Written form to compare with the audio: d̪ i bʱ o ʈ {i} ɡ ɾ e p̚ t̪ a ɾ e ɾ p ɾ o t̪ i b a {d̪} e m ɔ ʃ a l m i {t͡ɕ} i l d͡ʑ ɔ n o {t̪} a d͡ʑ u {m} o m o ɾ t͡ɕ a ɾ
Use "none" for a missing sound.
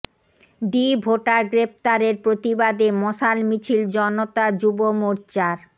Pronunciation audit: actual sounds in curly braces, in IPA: a, d̪, t͡ɕʰ, t̪, b

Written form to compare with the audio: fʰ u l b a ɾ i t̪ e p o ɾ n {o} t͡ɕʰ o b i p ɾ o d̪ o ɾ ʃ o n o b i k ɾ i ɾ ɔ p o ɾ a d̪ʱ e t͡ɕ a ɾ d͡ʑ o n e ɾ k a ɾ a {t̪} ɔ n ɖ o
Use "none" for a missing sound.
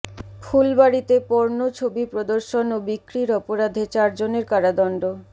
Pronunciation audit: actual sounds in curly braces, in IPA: o, d̪

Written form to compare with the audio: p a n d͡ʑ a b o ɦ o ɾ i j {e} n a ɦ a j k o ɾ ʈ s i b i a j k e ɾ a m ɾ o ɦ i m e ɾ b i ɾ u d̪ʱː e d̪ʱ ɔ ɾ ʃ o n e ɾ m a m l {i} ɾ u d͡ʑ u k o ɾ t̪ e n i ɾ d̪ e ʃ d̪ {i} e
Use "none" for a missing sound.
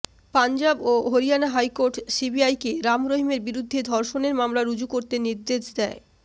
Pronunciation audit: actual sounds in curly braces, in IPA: a, a, ɛ

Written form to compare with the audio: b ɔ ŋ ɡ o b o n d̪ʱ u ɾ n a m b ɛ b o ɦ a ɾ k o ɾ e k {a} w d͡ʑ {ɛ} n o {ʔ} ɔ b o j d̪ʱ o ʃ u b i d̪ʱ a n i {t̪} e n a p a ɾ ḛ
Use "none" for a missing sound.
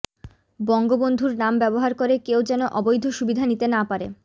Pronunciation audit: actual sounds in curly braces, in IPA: e, ɛ, ʔ, t̪

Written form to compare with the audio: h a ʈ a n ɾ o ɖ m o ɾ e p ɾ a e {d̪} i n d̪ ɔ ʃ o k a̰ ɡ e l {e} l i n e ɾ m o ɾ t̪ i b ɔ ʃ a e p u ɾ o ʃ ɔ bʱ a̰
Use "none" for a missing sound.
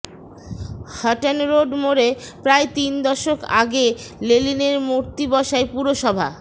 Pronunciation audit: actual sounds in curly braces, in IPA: t̪, e

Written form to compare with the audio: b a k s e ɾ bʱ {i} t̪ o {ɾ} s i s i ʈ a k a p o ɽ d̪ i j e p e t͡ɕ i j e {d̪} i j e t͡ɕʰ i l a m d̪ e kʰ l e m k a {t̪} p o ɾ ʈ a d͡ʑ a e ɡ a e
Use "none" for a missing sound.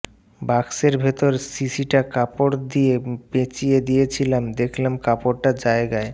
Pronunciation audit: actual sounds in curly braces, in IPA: e, ɾ, d̪, none

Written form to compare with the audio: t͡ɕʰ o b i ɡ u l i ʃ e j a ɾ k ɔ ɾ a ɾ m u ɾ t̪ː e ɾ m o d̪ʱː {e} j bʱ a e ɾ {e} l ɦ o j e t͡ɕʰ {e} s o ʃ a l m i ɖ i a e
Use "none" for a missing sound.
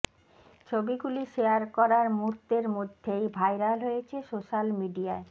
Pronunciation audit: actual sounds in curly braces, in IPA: e, a, e

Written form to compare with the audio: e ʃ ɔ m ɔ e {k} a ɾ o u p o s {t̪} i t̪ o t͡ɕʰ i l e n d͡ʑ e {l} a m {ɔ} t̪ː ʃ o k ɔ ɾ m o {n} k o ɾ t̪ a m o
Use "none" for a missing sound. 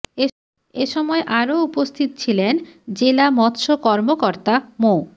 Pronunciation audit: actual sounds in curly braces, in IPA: ʔ, t̪ʰ, l, ɔ, none

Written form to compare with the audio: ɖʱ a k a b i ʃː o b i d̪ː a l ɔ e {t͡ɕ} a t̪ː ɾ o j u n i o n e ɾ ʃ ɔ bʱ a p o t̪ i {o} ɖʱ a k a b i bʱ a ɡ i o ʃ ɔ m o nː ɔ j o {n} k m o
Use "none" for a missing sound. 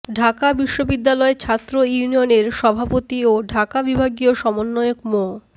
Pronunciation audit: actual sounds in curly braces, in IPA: t͡ɕʰ, o, none

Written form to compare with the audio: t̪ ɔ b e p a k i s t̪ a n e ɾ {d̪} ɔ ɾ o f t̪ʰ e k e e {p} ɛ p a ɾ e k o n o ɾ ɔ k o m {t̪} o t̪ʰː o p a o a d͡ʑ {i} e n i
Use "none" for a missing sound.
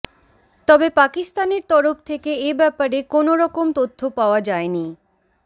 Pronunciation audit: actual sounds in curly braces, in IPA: t̪, b, t̪, a

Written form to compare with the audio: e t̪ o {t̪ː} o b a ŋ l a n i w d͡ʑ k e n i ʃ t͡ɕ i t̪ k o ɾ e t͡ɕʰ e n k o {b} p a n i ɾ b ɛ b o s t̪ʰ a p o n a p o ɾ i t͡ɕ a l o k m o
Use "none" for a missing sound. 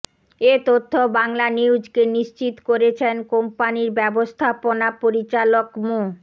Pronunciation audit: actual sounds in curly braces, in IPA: t̪ʰː, m

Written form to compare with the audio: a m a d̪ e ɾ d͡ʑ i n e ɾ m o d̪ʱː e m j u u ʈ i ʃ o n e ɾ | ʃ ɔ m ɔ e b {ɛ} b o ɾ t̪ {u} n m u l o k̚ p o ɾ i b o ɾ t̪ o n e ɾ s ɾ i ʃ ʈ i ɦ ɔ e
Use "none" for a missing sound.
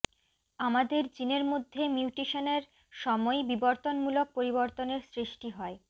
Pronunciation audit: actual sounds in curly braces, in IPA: i, o

